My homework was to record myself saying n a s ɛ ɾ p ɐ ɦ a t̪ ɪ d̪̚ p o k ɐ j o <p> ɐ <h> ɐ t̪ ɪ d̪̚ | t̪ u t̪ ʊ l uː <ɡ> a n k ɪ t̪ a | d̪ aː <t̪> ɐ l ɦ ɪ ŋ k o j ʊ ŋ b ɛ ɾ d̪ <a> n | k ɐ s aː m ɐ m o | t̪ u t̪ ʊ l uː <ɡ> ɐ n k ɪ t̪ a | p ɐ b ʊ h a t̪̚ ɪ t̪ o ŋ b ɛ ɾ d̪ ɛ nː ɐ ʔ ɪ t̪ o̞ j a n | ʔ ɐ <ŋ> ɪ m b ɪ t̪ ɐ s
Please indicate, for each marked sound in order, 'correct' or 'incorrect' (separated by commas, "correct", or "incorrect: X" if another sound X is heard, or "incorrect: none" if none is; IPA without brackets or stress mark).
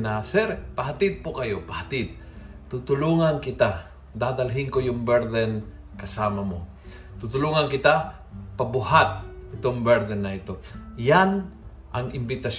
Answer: correct, correct, incorrect: ŋ, incorrect: d̪, incorrect: ɛ, incorrect: ŋ, correct